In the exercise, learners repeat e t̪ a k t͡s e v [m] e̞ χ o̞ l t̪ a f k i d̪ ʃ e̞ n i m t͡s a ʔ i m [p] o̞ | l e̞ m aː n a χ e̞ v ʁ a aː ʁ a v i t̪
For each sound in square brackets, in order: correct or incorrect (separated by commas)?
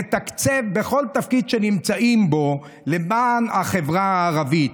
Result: incorrect, incorrect